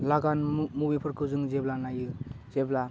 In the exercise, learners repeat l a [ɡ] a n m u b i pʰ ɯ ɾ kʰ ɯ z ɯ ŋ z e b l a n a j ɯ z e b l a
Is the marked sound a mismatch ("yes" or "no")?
no